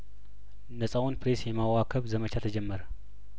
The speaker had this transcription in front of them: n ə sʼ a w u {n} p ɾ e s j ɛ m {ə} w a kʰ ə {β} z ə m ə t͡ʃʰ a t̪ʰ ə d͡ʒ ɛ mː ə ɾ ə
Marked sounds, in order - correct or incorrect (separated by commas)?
correct, incorrect, correct